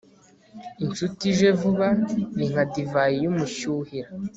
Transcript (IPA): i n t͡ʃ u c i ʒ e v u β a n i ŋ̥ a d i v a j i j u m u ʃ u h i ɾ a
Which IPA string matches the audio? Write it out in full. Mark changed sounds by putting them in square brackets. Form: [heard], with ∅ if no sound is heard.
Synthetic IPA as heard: i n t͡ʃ u [t] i ʒ e v u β a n i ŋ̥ a d i v a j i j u m u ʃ u h i ɾ a